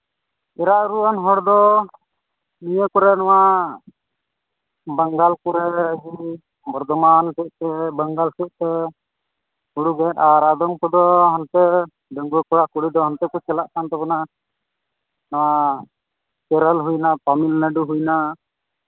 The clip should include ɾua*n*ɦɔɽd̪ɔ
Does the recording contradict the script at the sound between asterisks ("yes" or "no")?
no